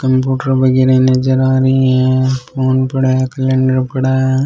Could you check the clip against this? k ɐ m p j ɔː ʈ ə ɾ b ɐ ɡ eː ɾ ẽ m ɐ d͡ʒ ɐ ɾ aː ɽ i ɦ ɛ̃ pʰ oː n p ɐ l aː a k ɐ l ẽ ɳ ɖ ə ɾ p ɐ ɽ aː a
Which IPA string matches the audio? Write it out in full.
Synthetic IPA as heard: k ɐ m p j uː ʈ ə ɾ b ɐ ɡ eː ɾ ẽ n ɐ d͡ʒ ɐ ɾ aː ɾ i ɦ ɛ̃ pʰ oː n p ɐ ɽ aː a k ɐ l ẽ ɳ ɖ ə ɾ p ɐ ɽ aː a